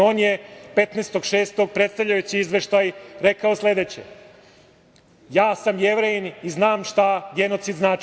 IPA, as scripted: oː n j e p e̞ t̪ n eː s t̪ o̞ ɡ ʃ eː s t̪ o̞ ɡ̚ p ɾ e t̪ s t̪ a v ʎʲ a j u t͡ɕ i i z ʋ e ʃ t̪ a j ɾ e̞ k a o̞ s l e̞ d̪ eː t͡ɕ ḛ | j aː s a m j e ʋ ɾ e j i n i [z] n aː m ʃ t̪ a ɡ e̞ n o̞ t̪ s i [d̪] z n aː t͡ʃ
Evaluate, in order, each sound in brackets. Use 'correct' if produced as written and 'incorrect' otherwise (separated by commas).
correct, correct